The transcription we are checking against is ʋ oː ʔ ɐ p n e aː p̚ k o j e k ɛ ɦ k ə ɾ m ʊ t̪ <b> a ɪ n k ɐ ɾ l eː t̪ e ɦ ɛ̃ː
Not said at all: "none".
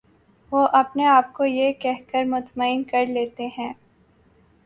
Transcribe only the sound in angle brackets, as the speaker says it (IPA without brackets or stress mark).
m